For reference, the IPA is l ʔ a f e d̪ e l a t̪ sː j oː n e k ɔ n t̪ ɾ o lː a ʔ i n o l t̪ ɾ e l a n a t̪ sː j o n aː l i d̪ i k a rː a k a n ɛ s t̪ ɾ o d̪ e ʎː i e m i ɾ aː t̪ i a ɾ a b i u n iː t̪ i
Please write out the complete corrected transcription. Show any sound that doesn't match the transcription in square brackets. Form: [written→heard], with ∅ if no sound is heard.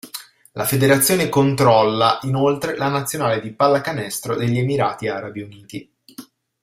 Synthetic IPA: l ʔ a f e d̪ e [l→ɾ] a t̪ sː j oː n e k [ɔ→o] n t̪ ɾ [o→ɔ] lː a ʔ i n o l t̪ ɾ e l a n a t̪ sː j o n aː l [i→e] d̪ i [k→p] a [rː→lː] a k a n ɛ s t̪ ɾ o d̪ e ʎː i e m i ɾ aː t̪ i a ɾ a b i u n iː t̪ i